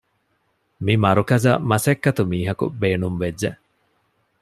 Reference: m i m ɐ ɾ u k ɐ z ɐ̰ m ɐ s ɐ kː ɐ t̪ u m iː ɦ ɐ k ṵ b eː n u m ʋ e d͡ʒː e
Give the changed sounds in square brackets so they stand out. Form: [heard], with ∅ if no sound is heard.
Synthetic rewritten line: m i m ɐ ɾ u k ɐ z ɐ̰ m ɐ s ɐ kː ɐ t̪ u m iː ɦ ɐ k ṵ b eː n u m ʋ e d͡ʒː e

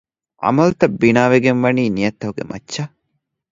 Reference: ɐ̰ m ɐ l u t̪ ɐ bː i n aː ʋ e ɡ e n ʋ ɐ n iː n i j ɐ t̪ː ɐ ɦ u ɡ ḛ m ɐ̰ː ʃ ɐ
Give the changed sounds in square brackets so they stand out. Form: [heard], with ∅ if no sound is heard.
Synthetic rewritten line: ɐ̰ m ɐ l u t̪ ɐ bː i n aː ʋ e ɡ e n ʋ ɐ n iː n i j ɐ t̪ː ɐ ɦ u ɡ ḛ m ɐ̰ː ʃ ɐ

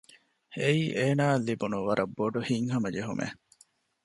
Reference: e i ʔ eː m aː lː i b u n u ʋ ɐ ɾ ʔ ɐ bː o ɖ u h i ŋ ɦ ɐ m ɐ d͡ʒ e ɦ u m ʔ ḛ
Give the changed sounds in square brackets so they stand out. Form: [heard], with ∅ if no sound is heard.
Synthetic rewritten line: e i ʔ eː [n] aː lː i b u n u ʋ ɐ ɾ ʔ ɐ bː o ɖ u h i ŋ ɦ ɐ m ɐ d͡ʒ e ɦ u m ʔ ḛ

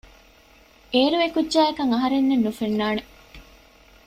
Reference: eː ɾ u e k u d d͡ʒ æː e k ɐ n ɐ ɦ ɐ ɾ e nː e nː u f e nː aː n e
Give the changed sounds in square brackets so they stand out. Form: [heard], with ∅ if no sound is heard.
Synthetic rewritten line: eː ɾ u e k u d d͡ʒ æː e k ɐ [ŋ] ɐ ɦ ɐ ɾ e nː e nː u f e nː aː n e

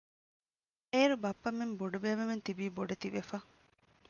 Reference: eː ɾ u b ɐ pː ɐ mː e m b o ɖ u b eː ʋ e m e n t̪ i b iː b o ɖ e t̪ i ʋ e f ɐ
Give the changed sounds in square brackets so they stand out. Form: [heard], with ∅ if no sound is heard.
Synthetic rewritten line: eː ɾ u b ɐ pː ɐ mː e m b o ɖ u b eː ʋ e m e n t̪ i b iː b o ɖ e t̪ i ʋ e f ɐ

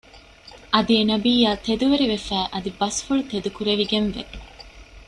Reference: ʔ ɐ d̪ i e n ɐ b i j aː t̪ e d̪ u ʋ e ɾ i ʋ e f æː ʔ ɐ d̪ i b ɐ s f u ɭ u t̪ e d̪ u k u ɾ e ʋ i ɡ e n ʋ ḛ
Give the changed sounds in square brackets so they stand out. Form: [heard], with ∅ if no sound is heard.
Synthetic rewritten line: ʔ ɐ d̪ i e n ɐ b [iː] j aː t̪ e d̪ u ʋ e ɾ i ʋ e f æː ʔ ɐ d̪ i b ɐ s f u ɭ u t̪ e d̪ u k u ɾ e ʋ i ɡ e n ʋ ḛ

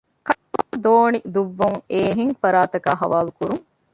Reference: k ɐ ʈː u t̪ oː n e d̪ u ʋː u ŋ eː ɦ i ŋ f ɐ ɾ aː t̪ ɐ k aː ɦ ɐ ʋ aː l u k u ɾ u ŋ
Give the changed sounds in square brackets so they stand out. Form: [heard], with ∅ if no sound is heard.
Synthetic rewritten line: k ɐ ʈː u [d̪] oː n [i] d̪ u ʋː u ŋ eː ɦ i ŋ f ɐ ɾ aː t̪ ɐ k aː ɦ ɐ ʋ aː l u k u ɾ u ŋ

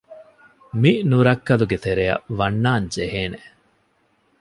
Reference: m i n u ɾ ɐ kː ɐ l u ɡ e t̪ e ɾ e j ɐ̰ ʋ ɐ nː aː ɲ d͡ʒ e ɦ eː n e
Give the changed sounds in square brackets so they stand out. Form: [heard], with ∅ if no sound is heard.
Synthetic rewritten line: m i n u ɾ ɐ kː ɐ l u ɡ e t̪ e ɾ e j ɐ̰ ʋ ɐ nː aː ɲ d͡ʒ e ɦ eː n e

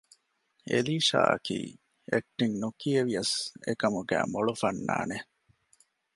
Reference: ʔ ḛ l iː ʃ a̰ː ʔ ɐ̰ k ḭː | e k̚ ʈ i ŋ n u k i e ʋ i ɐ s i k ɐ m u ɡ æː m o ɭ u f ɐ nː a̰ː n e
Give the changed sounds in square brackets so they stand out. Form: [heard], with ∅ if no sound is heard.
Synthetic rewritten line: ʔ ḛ l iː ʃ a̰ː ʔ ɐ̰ k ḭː | e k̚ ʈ i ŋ n u k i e ʋ i ɐ s [e] k ɐ m u ɡ æː m o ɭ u f ɐ nː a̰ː n e

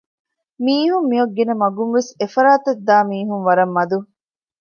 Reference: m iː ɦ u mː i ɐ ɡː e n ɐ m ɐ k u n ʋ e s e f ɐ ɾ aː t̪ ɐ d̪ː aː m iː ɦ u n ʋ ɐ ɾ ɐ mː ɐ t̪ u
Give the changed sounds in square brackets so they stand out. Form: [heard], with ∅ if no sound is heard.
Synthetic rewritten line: m iː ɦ u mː i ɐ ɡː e n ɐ m ɐ [ɡ] u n ʋ e s e f ɐ ɾ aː t̪ ɐ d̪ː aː m iː ɦ u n ʋ ɐ ɾ ɐ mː ɐ [d̪] u

